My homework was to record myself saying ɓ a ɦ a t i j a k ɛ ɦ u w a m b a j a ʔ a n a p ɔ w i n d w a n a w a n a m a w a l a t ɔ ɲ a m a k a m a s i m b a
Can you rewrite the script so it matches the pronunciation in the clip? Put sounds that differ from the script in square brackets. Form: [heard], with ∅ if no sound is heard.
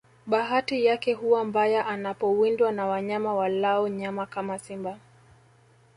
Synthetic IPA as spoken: ɓ a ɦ a t i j a k ɛ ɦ u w a m b a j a ʔ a n a p ɔ w i n d w a n a w a [ɲ] a m a w a l a [∅] ɔ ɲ a m a k a m a s i m b a